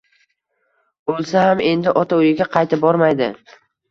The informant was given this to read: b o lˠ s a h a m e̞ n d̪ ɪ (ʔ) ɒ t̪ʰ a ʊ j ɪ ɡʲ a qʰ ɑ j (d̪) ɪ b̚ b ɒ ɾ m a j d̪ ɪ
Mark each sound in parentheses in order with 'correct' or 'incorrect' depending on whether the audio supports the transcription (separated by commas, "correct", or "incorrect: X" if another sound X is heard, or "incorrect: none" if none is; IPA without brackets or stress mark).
correct, incorrect: t̪